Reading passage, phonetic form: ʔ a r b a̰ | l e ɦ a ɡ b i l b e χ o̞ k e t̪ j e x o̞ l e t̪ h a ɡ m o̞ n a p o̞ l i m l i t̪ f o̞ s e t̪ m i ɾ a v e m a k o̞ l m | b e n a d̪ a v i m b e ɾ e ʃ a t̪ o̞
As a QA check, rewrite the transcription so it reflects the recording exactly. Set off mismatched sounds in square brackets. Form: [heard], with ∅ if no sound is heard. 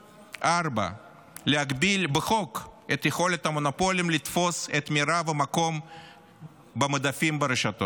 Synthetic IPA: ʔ a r b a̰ | l e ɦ a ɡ b i l b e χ o̞ k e t̪ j e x o̞ l e t̪ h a [∅] m o̞ n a p o̞ l i m l i t̪ f o̞ s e t̪ m i ɾ a v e m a k o̞ [∅] m | b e [m] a d̪ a [f] i m b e ɾ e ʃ a t̪ o̞